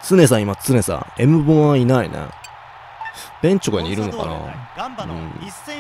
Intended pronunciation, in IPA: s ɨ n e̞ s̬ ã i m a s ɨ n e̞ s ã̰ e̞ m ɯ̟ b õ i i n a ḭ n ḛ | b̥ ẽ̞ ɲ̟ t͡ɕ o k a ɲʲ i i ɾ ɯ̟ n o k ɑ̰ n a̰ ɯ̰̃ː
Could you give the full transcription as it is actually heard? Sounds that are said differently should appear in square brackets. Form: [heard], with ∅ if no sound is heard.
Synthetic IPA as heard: [t͡s] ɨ n e̞ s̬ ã i m a [t͡s] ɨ n e̞ s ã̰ e̞ m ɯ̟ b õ [a] i n a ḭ n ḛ | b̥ ẽ̞ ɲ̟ t͡ɕ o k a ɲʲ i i ɾ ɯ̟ n o k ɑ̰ n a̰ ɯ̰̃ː